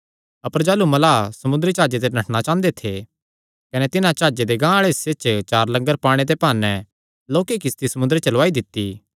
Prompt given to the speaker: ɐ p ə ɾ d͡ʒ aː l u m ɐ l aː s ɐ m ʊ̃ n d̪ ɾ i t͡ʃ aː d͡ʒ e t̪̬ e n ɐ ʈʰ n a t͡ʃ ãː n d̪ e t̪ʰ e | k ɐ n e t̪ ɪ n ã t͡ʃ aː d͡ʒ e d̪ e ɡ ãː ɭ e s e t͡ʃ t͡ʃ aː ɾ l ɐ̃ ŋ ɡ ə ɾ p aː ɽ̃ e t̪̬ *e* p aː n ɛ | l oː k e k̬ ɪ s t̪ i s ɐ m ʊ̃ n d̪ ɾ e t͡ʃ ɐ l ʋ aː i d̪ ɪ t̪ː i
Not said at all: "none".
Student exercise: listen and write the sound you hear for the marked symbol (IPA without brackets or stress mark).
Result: e